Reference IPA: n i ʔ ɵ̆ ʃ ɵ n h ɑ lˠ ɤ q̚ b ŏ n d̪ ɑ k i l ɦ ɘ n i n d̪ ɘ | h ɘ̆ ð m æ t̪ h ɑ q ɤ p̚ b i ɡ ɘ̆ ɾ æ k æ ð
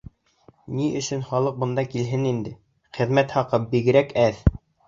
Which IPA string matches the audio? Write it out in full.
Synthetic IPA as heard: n i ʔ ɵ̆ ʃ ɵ n χ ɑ lˠ ɤ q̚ b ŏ n d̪ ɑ k i l ɦ ɘ n i n d̪ ɘ | χ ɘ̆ ð m æ t̪ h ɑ q ɤ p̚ b i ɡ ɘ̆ ɾ æ k æ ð